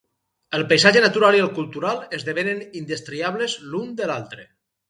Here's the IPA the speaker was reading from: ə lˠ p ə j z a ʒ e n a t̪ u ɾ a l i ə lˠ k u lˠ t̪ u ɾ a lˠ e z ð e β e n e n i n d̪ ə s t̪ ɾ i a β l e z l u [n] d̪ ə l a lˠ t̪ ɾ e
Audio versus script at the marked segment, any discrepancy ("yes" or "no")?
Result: no